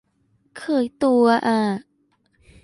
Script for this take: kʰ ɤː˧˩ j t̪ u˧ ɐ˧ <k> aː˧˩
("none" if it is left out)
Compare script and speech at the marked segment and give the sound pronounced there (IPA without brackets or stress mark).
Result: ʔ